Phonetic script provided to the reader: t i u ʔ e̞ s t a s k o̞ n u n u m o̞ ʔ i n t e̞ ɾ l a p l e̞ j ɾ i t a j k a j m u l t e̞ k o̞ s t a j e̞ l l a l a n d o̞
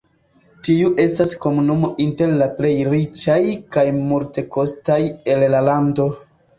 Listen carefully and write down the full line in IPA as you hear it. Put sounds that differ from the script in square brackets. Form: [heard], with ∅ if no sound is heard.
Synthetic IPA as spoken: t i u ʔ e̞ s t a s k o̞ [m] u n u m o̞ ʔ i n t e̞ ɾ l a p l e̞ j ɾ i [t͡ʃ] a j k a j m u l t e̞ k o̞ s t a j e̞ l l a l a n d o̞